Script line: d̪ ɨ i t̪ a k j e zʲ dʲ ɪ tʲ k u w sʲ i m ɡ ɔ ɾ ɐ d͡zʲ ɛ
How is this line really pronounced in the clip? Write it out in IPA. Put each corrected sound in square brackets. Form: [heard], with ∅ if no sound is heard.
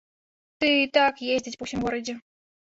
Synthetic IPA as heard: [t̪] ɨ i t̪ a k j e zʲ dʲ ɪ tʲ [p] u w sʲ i m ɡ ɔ ɾ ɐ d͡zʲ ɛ